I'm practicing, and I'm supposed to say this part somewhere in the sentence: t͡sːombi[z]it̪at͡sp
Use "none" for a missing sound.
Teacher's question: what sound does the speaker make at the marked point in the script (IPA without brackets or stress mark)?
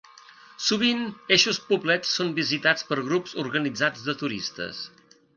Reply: z